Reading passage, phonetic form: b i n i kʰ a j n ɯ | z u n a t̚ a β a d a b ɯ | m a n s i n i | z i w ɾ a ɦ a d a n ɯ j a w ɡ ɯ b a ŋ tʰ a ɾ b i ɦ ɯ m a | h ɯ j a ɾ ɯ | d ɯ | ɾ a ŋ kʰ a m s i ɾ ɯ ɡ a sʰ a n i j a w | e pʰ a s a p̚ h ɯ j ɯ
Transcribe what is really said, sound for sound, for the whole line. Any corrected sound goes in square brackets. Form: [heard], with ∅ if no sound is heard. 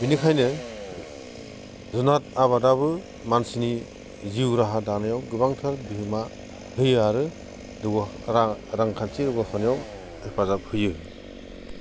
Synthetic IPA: b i n i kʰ a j n ɯ | z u n a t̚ a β a d a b ɯ | m a n s i n i | z i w ɾ a ɦ a d a n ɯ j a w ɡ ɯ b a ŋ tʰ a ɾ b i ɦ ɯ m a | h ɯ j a ɾ ɯ | d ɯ | ɾ a ŋ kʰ a [n] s i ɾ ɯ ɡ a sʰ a n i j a w | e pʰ a [z] a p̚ h ɯ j ɯ